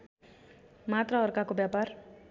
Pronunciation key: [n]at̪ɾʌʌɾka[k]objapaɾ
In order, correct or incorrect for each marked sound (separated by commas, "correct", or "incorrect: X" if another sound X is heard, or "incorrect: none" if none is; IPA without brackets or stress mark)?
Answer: incorrect: m, correct